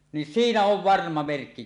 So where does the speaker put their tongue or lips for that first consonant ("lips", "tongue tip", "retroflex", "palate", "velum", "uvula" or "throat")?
tongue tip